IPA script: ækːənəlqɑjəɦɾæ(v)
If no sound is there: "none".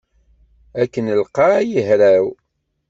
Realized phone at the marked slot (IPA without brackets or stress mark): w